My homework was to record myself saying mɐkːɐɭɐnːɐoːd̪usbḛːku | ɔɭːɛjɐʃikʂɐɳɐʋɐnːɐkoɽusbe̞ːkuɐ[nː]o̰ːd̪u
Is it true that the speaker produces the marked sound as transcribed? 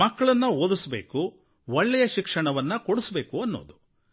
yes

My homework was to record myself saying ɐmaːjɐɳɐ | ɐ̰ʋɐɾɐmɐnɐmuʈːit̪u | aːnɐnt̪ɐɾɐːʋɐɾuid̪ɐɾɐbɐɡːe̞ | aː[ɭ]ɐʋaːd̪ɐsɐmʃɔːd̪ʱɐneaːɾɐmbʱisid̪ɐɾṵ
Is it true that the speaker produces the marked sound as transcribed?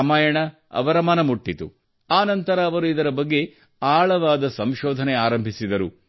yes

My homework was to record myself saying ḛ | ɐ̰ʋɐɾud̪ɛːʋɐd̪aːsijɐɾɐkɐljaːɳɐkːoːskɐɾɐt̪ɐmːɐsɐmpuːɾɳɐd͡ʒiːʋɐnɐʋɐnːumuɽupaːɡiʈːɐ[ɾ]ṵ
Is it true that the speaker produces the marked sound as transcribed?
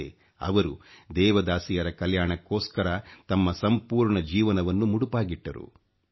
yes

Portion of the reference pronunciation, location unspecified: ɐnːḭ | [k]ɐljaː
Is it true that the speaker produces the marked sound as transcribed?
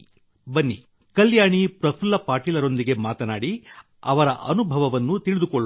yes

